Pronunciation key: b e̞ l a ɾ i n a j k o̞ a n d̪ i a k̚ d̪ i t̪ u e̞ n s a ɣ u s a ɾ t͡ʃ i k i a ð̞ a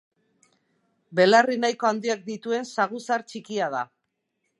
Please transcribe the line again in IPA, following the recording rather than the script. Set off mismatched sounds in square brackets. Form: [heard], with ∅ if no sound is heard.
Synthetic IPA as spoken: b e̞ l a [r] i n a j k o̞ a n d̪ i a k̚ d̪ i t̪ u e̞ n s a ɣ u s a ɾ t͡ʃ i k i a ð̞ a